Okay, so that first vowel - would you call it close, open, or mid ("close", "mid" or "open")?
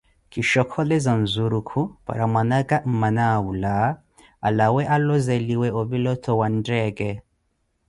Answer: close